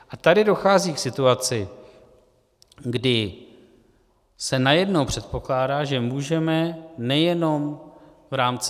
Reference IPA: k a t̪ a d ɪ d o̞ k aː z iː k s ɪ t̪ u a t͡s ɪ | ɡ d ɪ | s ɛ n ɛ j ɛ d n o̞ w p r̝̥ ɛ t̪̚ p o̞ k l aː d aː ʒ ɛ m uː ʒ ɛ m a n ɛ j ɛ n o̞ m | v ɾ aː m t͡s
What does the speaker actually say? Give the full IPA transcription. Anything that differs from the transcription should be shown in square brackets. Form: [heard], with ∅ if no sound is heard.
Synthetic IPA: [ʔ] a t̪ a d ɪ d o̞ [x] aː z iː k s ɪ t̪ u a t͡s ɪ | ɡ d ɪ | s ɛ n [a] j ɛ d n o̞ w p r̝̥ ɛ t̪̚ p o̞ k l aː d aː ʒ ɛ m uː ʒ ɛ m [ɛ] n ɛ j ɛ n o̞ m | v ɾ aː m t͡s

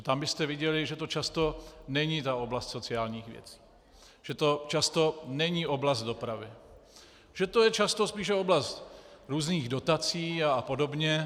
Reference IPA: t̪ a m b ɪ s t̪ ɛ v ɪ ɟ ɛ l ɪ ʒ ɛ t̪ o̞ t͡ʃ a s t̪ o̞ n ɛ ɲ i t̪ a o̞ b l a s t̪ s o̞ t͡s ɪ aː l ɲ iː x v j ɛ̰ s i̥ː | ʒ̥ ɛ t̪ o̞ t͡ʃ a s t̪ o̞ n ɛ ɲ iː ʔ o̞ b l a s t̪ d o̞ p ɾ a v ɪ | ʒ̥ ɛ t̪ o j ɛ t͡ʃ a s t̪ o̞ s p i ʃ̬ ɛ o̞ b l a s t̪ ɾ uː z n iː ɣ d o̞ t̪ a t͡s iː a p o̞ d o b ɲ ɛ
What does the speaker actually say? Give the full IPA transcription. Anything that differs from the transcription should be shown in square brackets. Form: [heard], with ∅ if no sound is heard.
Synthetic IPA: t̪ a m b ɪ s t̪ ɛ v ɪ ɟ ɛ l ɪ ʒ ɛ t̪ o̞ t͡ʃ a s t̪ o̞ n ɛ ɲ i t̪ a o̞ b l a s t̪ s o̞ t͡s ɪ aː l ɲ iː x v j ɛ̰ [t͡s] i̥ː | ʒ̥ ɛ t̪ o̞ t͡ʃ a s t̪ o̞ n ɛ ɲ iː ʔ o̞ b l a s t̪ d o̞ p ɾ a v ɪ | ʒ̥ ɛ t̪ o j ɛ t͡ʃ a s t̪ o̞ s p [iː] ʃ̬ ɛ o̞ b l a s t̪ ɾ uː z n iː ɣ d o̞ t̪ a t͡s iː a p o̞ d o b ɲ ɛ

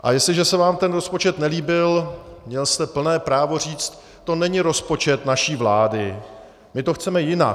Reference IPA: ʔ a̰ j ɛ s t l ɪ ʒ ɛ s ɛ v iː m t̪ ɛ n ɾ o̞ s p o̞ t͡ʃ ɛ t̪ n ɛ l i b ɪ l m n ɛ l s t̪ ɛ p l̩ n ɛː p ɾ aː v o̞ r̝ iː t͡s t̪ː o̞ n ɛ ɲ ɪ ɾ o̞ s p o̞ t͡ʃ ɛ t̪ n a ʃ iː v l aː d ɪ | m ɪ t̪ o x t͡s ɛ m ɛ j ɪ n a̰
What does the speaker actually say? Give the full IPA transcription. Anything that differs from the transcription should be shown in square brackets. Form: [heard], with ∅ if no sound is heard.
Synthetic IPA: ʔ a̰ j ɛ s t l ɪ ʒ ɛ s ɛ v [aː] m t̪ ɛ n ɾ o̞ s p o̞ t͡ʃ ɛ t̪ n ɛ l [iː] b ɪ l m [ɲ] ɛ l s t̪ ɛ p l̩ n ɛː p ɾ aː v o̞ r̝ iː t͡s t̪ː o̞ n ɛ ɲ ɪ ɾ o̞ s p o̞ t͡ʃ ɛ t̪ n a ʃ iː v l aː d ɪ | m ɪ t̪ o x t͡s ɛ m ɛ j ɪ n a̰

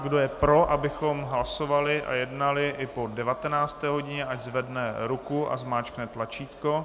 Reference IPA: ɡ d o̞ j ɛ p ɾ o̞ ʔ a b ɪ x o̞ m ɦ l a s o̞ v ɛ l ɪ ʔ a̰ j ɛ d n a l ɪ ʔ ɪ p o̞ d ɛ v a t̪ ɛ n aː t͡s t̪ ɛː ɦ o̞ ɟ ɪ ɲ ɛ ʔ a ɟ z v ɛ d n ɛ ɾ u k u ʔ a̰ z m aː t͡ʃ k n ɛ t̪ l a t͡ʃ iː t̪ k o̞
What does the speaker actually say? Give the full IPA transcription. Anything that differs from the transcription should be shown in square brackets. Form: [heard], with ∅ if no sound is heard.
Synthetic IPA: ɡ d o̞ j ɛ p ɾ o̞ ʔ a b ɪ x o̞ m ɦ l a s o̞ v [a] l ɪ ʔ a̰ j ɛ d n a l ɪ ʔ ɪ p o̞ d ɛ v a t̪ ɛ n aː t͡s t̪ ɛː ɦ o̞ ɟ ɪ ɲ ɛ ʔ a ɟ z v ɛ d n ɛ ɾ u k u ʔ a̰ z m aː t͡ʃ k n ɛ t̪ l a t͡ʃ iː t̪ k o̞

